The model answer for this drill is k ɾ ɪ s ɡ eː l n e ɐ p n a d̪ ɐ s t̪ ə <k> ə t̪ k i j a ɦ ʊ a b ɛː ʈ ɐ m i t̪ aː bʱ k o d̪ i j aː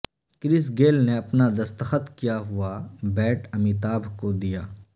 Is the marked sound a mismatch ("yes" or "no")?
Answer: yes